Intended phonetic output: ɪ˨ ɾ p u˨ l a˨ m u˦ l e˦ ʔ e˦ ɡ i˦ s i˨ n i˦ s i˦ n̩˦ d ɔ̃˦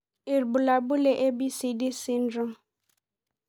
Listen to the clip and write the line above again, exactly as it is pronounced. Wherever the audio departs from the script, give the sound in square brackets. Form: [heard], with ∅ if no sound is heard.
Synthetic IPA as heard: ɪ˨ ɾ [b] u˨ l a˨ [b] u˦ l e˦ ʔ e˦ [b] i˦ s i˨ [d] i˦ s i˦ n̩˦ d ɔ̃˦